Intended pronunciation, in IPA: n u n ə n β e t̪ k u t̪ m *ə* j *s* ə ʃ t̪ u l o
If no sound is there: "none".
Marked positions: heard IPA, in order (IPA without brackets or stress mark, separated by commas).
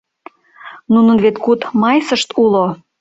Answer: ɑ, s